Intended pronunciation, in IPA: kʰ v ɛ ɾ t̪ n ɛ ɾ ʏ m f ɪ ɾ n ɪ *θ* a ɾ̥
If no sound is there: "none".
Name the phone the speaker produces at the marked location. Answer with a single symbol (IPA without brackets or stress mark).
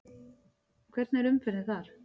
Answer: θ